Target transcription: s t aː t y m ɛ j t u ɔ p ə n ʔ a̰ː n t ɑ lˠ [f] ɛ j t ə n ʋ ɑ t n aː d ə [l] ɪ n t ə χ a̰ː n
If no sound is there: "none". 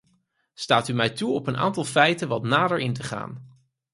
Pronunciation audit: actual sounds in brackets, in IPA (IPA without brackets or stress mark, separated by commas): f, ɹ